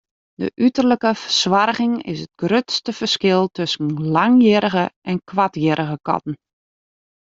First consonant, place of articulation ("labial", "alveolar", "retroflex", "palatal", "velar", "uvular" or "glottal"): alveolar